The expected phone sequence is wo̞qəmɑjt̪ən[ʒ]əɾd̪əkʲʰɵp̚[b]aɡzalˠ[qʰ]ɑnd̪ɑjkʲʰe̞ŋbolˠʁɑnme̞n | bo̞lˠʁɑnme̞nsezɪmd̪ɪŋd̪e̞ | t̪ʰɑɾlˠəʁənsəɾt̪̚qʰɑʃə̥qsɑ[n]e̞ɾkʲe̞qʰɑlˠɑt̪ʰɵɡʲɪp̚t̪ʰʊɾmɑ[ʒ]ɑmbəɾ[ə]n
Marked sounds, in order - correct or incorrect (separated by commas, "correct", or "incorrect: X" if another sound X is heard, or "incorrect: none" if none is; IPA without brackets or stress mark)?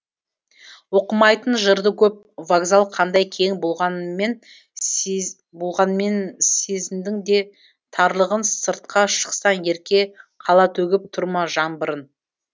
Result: correct, incorrect: v, correct, correct, correct, correct